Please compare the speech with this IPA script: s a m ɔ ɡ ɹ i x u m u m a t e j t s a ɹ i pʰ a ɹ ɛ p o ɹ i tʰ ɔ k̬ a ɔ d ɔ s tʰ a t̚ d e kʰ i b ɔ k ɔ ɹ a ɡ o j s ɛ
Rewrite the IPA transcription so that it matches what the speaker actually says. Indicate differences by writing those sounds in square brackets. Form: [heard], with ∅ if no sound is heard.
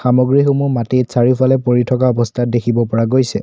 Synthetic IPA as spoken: [x] a m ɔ ɡ ɹ i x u m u m a t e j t s a ɹ i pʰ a [l] ɛ p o ɹ i tʰ ɔ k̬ a ɔ [b] ɔ s tʰ a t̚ d e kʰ i b ɔ [p] ɔ ɹ a ɡ o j s ɛ